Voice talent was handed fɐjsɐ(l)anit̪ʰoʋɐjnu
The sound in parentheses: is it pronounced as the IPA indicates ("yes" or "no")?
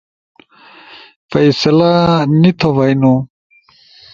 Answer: yes